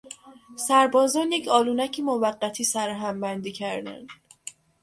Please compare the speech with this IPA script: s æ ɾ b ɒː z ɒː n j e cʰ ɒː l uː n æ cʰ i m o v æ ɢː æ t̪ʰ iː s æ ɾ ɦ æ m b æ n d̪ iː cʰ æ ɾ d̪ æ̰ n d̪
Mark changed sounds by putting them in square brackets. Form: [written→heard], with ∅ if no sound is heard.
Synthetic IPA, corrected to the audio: s æ ɾ b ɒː z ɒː n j e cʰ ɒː l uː n æ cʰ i m o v æ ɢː æ t̪ʰ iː s æ ɾ ɦ æ m b æ n d̪ iː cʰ æ ɾ d̪ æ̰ n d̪